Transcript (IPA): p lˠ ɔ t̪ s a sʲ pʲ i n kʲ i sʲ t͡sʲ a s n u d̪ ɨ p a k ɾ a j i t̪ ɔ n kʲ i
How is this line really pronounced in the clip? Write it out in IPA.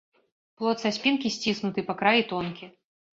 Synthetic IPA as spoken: p lˠ ɔ t̪ s a sʲ pʲ i n kʲ i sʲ t͡sʲ i s n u t̪ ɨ p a k ɾ a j i t̪ ɔ n kʲ i